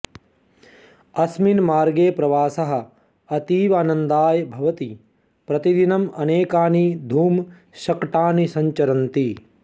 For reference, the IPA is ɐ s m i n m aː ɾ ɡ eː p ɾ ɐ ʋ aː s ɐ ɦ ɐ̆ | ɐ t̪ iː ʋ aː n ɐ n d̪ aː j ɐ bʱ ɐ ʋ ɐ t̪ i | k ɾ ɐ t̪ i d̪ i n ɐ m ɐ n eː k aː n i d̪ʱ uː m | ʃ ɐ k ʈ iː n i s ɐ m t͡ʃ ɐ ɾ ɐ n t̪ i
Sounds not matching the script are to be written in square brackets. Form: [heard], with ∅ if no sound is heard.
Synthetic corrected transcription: ɐ s m i n m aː ɾ ɡ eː p ɾ ɐ ʋ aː s ɐ ɦ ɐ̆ | ɐ t̪ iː ʋ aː n ɐ n d̪ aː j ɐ bʱ ɐ ʋ ɐ t̪ i | [p] ɾ ɐ t̪ i d̪ i n ɐ m ɐ n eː k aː n i d̪ʱ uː m | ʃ ɐ k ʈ [aː] n i s ɐ [ɲ] t͡ʃ ɐ ɾ ɐ n t̪ i